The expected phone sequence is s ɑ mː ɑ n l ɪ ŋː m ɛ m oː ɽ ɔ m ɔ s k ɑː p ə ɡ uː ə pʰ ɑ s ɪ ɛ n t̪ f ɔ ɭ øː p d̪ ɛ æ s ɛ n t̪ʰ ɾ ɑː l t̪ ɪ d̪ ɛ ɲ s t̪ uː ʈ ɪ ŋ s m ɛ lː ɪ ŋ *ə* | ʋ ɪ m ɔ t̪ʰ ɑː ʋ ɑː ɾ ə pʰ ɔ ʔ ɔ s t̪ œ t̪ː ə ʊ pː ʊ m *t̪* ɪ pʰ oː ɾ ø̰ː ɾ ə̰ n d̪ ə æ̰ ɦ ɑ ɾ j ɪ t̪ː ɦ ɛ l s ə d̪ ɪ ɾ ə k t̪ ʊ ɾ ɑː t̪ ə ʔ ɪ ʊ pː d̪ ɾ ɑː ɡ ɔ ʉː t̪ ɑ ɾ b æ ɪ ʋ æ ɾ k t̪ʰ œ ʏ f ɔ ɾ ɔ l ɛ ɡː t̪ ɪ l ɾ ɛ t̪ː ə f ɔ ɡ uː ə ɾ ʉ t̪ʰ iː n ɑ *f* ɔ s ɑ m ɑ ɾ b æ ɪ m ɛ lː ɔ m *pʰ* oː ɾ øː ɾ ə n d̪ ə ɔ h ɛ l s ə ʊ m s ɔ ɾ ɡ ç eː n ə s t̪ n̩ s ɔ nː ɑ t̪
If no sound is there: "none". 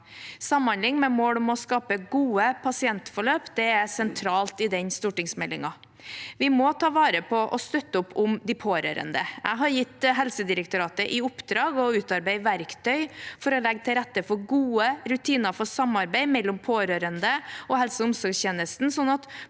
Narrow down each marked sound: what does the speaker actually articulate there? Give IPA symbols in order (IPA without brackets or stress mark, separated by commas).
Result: ɑ, d̪, f, pʰ